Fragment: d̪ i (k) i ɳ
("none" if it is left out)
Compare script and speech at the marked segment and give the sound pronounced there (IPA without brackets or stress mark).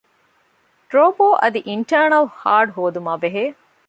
ʔ